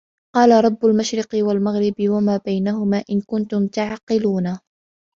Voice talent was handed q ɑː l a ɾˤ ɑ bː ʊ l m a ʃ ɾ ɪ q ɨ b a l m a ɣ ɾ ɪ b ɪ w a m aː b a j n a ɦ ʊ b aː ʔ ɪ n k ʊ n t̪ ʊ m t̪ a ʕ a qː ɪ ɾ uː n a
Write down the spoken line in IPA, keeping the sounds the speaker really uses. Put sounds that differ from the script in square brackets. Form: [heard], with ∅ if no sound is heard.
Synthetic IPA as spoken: q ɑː l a ɾˤ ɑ bː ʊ l m a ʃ ɾ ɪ q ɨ [w] a l m a ɣ ɾ ɪ b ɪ w a m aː b a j n a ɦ ʊ [m] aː ʔ ɪ n k ʊ n t̪ ʊ m t̪ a ʕ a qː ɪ [l] uː n a